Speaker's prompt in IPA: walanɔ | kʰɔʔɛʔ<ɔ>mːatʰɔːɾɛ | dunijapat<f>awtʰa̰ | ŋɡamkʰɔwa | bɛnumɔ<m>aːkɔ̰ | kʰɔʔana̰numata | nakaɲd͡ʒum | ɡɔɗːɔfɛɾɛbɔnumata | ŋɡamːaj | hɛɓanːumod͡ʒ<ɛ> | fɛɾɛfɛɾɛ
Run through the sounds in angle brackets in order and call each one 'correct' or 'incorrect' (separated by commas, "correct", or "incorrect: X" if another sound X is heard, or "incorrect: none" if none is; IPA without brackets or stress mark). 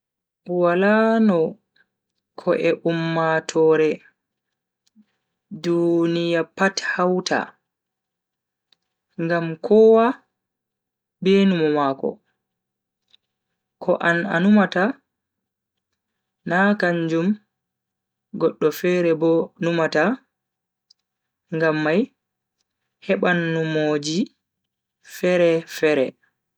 incorrect: u, incorrect: h, correct, incorrect: i